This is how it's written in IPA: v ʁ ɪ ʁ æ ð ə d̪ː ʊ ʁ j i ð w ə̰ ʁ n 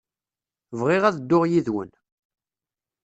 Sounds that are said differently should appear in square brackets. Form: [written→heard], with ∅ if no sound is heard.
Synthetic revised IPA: v ʁ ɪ ʁ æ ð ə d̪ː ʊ ʁ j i ð w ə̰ [ʁ→∅] n